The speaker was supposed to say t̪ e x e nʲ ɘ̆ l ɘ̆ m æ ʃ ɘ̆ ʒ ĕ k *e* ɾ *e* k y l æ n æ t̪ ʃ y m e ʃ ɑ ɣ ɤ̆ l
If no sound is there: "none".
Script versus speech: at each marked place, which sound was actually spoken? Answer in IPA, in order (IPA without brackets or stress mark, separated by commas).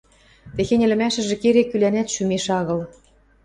e, e